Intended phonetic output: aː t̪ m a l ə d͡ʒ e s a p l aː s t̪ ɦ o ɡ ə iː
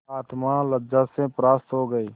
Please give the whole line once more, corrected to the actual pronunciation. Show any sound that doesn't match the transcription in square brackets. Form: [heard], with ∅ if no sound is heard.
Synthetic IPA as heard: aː t̪ m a l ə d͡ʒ [a] s [e] p [ɾ] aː s t̪ ɦ o ɡ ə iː